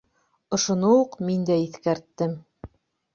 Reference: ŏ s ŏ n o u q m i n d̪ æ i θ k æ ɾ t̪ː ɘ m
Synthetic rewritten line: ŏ ʃ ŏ n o u q m i n d̪ æ i θ k æ ɾ t̪ː ɘ m